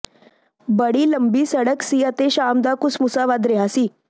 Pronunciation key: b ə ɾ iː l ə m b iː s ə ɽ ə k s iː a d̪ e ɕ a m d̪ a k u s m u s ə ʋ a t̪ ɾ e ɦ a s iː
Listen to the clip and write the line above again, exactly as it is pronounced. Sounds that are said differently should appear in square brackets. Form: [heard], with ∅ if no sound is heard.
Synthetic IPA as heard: b ə [ɽ] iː l ə m b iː s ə ɽ ə k s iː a [t̪] e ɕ a m d̪ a k u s m u s [a] ʋ a [d̪] ɾ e ɦ a s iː